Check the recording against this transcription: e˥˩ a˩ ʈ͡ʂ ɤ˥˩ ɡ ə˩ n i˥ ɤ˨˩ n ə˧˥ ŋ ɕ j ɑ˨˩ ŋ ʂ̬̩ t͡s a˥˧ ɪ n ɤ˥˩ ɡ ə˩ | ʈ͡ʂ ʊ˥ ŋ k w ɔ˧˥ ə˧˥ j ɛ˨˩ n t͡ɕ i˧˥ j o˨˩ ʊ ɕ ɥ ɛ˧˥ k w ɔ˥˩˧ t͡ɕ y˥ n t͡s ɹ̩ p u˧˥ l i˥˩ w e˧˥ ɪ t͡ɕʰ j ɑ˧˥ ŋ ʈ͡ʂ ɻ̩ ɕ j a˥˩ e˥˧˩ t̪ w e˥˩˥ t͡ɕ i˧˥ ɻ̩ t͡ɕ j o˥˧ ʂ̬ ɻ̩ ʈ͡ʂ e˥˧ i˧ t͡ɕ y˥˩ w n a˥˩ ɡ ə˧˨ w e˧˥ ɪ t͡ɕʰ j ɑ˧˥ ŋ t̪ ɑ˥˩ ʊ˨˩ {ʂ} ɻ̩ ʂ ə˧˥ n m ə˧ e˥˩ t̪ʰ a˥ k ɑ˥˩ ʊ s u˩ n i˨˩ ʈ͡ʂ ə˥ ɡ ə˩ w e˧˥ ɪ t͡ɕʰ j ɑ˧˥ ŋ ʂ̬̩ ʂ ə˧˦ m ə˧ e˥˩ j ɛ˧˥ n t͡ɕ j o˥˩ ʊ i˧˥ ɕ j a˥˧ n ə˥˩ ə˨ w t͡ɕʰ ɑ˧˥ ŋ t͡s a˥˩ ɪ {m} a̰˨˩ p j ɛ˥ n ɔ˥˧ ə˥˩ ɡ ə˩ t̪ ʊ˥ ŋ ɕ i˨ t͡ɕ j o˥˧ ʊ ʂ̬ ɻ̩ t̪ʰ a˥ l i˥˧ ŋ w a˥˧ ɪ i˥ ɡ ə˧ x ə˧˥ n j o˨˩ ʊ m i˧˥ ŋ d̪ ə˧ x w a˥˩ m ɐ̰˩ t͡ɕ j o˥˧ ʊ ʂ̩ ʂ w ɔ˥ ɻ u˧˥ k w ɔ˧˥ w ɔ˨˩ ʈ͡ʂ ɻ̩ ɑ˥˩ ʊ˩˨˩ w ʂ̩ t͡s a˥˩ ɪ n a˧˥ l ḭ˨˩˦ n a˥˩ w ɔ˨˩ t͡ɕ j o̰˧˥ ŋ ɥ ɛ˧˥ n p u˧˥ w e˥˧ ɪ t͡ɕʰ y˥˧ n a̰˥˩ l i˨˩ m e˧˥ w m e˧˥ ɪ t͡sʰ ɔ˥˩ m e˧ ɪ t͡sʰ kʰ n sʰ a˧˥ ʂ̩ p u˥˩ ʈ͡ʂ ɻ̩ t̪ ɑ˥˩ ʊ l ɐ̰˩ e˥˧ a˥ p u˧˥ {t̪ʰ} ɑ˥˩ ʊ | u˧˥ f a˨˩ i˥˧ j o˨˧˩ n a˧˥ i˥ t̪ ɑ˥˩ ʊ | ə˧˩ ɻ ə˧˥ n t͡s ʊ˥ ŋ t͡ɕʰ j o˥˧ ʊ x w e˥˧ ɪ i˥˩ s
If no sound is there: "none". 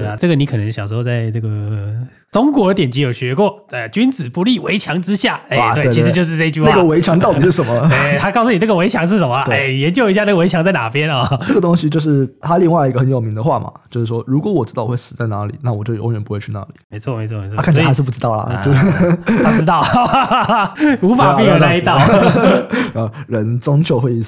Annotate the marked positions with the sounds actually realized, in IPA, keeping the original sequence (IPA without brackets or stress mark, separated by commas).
ʂ, n, t̪